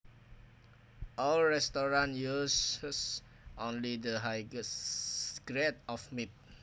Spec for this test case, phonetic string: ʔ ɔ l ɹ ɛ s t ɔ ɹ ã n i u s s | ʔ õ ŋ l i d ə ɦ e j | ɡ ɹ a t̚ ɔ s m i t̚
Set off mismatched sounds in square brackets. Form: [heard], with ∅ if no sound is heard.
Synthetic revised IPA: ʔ ɔ l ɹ ɛ s t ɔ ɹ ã n [j] u s s | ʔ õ [n] l i d ə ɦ [a] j | ɡ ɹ [ɛ] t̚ ɔ [f] m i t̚